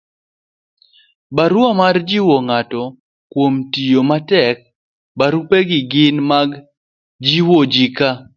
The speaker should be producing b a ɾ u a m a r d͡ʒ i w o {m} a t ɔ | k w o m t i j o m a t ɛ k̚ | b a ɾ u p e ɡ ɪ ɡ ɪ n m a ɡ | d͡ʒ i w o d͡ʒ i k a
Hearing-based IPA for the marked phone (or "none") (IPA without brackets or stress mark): ŋ